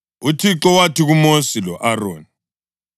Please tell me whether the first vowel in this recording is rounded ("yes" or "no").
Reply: yes